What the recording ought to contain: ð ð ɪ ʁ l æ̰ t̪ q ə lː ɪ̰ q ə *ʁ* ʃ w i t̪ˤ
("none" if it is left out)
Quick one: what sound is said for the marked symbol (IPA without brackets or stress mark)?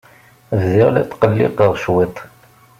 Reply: ʁ